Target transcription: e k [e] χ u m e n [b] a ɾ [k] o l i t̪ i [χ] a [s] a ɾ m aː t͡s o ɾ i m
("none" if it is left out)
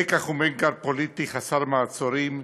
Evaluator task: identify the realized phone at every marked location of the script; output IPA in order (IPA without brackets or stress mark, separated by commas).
a, ɡ, p, χ, s